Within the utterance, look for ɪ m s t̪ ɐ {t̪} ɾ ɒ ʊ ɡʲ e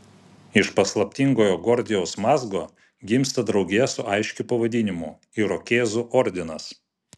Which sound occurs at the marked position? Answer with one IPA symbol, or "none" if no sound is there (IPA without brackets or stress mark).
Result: d̪